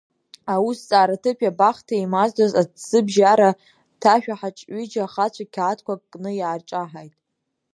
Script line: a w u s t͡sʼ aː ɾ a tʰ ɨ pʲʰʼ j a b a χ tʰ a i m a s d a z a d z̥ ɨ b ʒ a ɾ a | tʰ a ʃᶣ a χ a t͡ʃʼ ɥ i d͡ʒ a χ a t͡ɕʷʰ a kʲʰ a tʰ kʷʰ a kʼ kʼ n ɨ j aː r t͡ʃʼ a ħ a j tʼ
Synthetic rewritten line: a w u s t͡sʼ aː ɾ a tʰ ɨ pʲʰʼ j a b a χ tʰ a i m a z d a z a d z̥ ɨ b ʒ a ɾ a | tʰ a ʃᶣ a ħ a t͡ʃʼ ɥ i d͡ʒ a χ a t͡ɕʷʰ a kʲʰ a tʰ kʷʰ a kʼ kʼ n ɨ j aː r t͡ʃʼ a ħ a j tʼ